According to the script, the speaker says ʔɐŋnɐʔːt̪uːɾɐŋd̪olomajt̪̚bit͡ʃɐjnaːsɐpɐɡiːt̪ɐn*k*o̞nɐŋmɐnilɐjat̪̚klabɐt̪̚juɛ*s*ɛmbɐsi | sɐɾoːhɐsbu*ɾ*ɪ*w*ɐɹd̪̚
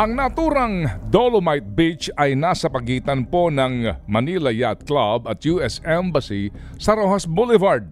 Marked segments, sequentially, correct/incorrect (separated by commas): incorrect, correct, incorrect, incorrect